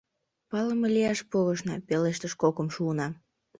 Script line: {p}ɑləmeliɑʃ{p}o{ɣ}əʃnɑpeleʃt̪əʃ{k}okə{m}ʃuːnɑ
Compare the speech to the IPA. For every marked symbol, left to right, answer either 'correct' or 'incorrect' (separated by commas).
correct, correct, correct, correct, correct